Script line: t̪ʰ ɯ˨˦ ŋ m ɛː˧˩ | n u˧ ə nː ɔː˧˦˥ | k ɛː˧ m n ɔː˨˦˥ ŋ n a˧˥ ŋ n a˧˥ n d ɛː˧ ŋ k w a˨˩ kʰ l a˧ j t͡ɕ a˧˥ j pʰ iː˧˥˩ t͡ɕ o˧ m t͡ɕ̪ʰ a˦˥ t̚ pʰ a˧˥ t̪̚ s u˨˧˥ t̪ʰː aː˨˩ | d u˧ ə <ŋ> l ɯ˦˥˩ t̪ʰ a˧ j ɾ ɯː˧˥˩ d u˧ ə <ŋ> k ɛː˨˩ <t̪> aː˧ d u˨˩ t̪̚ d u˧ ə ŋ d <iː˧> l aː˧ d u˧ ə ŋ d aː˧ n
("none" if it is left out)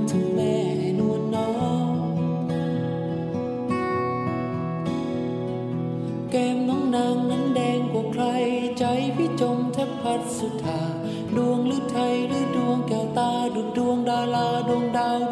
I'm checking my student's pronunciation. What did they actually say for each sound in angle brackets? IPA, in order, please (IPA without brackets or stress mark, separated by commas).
ŋ, ŋ, t̪, aː˧